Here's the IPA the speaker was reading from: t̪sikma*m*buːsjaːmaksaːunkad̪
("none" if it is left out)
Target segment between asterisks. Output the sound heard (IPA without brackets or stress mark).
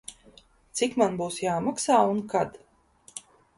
n